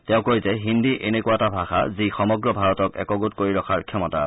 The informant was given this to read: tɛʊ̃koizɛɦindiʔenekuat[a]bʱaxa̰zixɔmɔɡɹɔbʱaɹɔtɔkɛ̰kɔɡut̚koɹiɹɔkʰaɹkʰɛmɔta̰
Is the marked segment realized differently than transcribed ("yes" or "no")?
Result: no